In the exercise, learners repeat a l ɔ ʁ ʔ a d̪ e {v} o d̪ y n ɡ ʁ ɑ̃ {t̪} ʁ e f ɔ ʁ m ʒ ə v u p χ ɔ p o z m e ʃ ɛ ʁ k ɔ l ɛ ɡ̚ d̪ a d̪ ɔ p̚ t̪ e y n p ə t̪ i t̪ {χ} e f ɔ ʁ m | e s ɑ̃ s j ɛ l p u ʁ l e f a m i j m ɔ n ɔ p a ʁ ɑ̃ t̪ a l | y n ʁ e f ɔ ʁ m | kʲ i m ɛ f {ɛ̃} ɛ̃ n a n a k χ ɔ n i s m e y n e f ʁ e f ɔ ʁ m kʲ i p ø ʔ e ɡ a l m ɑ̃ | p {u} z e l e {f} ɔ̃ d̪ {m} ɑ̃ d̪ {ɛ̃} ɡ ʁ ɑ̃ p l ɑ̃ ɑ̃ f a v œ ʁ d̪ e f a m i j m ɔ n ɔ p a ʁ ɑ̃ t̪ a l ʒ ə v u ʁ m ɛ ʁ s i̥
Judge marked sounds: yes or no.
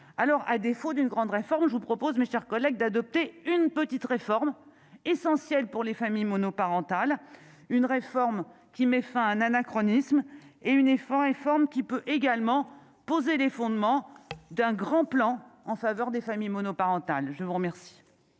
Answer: no, no, no, yes, no, yes, yes, yes

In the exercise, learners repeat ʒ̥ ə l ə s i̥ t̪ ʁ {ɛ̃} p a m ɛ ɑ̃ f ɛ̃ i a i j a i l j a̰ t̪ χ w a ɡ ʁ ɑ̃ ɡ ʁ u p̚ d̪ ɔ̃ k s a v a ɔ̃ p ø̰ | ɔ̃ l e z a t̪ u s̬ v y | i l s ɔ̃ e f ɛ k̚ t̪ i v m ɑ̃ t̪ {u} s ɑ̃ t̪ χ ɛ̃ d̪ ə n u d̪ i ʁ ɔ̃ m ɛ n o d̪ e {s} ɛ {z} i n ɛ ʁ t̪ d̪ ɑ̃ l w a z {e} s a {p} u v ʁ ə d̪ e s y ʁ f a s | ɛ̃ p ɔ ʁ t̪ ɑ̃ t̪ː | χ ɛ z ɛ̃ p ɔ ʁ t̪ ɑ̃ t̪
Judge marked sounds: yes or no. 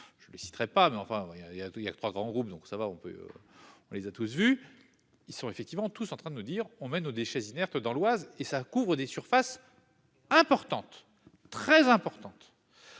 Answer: no, yes, no, yes, yes, no

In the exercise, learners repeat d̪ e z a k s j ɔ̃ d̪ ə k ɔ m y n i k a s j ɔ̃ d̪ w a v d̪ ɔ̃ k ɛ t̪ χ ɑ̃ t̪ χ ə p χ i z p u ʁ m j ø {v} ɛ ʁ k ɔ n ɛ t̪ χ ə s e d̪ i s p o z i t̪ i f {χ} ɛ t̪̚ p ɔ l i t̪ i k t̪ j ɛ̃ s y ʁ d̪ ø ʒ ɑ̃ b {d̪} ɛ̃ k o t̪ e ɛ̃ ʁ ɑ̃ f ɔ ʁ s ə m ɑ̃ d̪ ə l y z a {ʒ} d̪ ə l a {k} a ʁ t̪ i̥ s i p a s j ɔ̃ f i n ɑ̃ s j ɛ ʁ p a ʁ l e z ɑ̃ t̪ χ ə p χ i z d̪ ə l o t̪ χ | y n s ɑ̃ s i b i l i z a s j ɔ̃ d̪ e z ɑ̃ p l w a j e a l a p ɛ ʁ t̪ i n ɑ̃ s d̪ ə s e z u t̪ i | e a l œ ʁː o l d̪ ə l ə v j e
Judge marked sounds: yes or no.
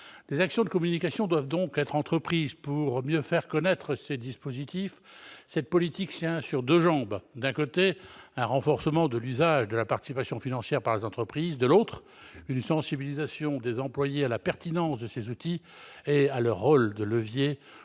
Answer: no, no, yes, yes, no

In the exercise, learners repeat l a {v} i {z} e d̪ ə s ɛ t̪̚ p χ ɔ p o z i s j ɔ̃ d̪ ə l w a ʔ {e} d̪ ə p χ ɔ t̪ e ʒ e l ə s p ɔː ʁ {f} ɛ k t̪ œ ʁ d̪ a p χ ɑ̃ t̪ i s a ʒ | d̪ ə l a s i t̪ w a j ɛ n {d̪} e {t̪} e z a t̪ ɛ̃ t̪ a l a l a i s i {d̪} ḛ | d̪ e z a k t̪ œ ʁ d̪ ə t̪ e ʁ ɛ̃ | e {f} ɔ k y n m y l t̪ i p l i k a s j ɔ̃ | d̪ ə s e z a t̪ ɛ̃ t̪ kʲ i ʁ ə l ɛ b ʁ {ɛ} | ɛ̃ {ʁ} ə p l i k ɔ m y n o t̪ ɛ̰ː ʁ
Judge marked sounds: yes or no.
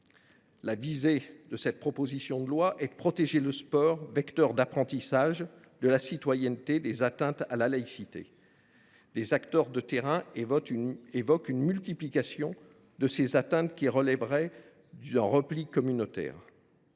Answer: yes, yes, no, no, no, no, no, no, yes, yes

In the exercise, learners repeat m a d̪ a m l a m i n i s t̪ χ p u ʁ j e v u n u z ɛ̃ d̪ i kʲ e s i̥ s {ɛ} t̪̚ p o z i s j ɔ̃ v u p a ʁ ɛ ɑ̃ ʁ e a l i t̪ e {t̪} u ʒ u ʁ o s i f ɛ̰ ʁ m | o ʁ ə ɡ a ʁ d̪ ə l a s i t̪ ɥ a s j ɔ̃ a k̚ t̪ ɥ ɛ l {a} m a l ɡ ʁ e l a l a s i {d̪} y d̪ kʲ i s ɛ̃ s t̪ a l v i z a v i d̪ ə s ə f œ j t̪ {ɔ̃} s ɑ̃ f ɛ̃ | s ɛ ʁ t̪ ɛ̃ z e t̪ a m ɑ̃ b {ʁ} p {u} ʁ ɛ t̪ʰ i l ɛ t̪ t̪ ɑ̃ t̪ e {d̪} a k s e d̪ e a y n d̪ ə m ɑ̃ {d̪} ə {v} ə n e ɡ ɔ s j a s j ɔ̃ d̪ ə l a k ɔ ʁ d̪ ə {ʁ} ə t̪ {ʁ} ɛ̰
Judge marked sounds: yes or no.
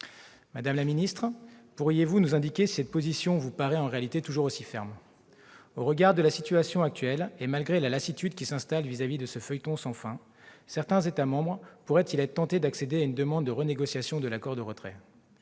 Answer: yes, yes, no, no, yes, yes, yes, yes, no, no, yes, no

